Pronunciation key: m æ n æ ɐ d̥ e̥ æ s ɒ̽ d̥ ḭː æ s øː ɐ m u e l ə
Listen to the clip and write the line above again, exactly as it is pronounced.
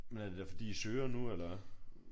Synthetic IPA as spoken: m e n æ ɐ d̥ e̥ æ f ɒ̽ d̥ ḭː i s øː ɐ n u e l ɐ